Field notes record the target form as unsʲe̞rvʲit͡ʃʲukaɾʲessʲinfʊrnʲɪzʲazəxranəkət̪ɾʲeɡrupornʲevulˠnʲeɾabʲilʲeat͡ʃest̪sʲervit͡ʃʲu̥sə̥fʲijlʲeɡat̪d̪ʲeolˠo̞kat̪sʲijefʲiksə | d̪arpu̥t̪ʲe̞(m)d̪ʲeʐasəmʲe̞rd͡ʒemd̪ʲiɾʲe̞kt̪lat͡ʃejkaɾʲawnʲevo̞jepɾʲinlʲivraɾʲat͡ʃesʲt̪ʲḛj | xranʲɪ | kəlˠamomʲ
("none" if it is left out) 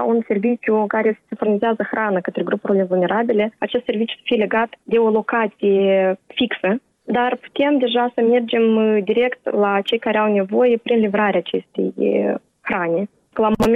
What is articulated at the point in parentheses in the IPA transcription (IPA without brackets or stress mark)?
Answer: m